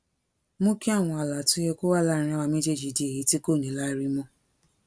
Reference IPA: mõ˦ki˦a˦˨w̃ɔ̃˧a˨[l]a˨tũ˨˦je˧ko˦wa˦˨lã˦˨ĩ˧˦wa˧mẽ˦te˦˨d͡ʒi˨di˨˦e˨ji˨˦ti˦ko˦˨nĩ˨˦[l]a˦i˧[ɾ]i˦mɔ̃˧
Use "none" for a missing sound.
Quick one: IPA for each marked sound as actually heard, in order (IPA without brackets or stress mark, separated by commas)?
l, l, ɾ